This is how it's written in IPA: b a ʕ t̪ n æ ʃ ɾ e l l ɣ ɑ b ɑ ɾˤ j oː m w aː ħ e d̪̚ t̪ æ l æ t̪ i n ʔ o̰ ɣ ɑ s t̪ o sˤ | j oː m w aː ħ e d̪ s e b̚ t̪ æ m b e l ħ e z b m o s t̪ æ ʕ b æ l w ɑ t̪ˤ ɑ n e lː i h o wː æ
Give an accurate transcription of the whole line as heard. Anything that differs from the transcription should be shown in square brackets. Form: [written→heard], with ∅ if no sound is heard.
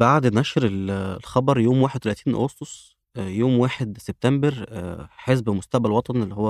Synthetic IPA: b a ʕ [t̪→d̪] n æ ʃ ɾ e l l [ɣ→x] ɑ b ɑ ɾˤ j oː m w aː ħ e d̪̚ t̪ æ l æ t̪ [i→iː] n ʔ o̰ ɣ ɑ s t̪ o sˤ | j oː m w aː ħ e d̪ s e b̚ t̪ æ m b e [l→ɾ] ħ e z b m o s t̪ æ ʕ b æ l w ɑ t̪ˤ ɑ n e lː i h o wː æ